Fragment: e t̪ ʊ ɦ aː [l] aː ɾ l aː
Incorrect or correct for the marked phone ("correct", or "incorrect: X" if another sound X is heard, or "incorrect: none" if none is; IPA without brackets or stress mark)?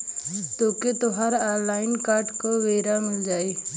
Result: incorrect: ɾ